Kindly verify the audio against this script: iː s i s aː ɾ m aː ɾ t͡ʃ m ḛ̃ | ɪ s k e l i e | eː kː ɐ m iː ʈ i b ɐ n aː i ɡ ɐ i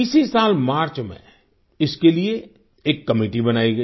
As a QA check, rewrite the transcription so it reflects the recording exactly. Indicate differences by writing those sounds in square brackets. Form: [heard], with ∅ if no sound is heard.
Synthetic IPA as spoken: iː s i s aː [l] m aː ɾ t͡ʃ m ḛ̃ | ɪ s k e l i e | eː kː ɐ m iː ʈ i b ɐ n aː i ɡ ɐ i